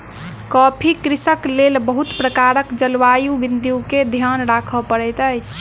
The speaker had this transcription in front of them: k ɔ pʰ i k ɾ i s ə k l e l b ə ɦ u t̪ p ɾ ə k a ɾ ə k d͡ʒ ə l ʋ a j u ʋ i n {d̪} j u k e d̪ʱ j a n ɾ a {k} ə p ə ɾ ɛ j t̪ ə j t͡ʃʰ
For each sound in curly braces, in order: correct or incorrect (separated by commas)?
correct, incorrect